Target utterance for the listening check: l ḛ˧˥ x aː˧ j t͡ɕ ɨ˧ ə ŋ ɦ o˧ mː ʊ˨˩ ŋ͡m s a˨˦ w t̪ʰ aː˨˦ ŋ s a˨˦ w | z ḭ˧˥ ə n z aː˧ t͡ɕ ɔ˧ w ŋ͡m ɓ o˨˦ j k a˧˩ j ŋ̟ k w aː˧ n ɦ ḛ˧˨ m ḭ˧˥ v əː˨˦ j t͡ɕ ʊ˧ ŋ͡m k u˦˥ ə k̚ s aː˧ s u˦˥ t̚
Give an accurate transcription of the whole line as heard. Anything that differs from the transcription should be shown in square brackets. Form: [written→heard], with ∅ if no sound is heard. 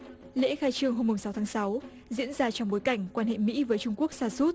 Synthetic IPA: l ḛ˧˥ x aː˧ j t͡ɕ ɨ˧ ə ŋ ɦ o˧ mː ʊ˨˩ ŋ͡m s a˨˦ w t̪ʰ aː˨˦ ŋ s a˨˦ w | z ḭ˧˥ ə n z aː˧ t͡ɕ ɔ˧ w ŋ͡m ɓ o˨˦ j k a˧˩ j ŋ̟ k w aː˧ n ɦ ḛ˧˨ m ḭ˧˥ v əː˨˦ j t͡ɕ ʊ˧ ŋ͡m k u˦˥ ə k̚ s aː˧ s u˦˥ t̚